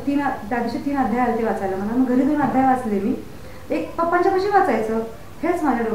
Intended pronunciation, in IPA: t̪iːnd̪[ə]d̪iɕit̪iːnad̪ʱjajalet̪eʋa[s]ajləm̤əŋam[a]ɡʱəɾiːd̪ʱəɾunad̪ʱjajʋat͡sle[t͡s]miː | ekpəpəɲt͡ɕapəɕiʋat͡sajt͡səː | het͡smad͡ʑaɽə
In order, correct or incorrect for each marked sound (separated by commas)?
incorrect, incorrect, incorrect, incorrect